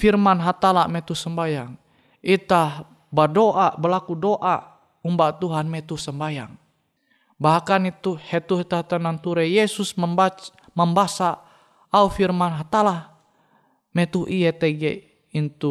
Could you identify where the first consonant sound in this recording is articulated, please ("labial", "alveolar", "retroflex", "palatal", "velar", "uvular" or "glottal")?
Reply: labial